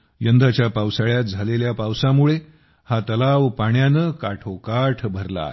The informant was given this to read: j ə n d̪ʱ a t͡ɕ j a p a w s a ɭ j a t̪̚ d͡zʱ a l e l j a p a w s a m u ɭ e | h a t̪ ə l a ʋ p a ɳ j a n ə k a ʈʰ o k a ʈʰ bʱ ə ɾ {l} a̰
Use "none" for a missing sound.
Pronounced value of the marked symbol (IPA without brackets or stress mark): l